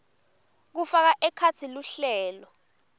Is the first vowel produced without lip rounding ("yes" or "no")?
no